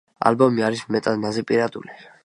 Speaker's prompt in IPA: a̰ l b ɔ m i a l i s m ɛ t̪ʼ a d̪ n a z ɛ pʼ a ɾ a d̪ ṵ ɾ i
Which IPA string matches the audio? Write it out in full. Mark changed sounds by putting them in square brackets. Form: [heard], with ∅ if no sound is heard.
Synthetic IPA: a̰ l b ɔ m i a [ɾ] i s m ɛ t̪ʼ a d̪ n a z ɛ pʼ [i] ɾ a d̪ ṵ [l] i